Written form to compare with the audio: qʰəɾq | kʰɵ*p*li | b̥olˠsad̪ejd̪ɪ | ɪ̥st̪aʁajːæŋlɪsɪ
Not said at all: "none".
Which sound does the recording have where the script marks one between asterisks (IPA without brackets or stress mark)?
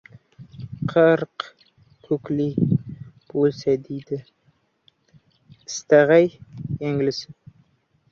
k